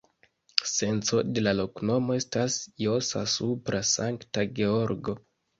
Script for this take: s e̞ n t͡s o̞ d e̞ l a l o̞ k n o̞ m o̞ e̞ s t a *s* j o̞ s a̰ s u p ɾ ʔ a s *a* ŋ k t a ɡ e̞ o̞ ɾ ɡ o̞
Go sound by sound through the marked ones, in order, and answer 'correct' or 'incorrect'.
correct, correct

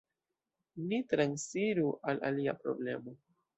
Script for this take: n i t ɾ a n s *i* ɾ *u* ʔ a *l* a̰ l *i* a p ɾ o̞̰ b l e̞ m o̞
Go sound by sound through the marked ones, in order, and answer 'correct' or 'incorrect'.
correct, correct, correct, correct

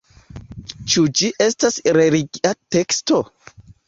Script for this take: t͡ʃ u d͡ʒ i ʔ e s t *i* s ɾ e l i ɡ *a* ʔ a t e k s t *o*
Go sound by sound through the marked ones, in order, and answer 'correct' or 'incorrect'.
incorrect: a, incorrect: i, correct

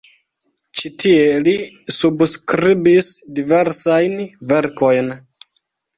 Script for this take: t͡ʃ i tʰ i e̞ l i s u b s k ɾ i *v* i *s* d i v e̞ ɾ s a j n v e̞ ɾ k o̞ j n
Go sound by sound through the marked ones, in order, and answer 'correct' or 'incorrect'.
incorrect: b, correct

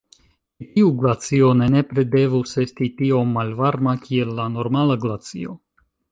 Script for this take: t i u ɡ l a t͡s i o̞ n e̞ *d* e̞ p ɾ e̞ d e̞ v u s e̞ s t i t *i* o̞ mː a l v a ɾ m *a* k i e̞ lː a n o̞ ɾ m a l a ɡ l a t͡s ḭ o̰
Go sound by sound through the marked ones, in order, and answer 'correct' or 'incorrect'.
incorrect: n, correct, correct

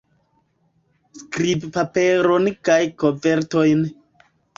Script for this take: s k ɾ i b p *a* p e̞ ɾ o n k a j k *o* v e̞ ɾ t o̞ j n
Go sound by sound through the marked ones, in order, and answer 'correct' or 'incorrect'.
correct, correct

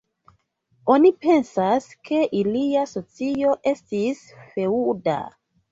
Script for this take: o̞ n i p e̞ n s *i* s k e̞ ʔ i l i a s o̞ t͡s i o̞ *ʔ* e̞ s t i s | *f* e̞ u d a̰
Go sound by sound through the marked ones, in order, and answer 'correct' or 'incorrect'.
incorrect: a, correct, correct

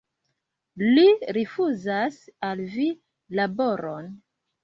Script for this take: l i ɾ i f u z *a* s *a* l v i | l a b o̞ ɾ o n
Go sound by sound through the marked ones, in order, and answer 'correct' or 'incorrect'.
correct, correct

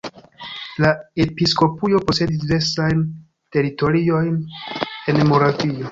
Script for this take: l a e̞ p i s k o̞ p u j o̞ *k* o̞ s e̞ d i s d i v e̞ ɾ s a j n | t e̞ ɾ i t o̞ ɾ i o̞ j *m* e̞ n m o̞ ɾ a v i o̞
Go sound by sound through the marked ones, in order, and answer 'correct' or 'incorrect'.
incorrect: p, incorrect: n

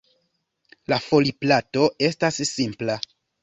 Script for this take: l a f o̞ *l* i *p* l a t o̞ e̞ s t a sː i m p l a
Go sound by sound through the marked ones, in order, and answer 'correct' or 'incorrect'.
correct, correct

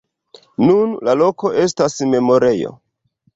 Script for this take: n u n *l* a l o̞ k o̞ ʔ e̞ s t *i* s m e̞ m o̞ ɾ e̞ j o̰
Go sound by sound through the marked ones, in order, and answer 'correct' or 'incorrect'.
correct, incorrect: a

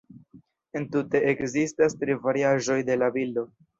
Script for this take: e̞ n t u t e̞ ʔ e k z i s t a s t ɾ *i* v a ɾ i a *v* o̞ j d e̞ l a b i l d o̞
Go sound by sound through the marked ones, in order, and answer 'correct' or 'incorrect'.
correct, incorrect: ʒ

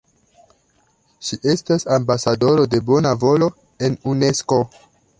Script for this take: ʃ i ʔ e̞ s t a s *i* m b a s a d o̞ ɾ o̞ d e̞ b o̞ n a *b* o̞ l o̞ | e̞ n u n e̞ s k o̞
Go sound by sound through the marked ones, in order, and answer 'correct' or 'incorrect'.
incorrect: a, incorrect: v

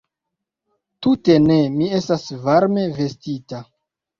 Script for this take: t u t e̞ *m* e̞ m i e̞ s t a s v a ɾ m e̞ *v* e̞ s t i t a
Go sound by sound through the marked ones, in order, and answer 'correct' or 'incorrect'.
incorrect: n, correct

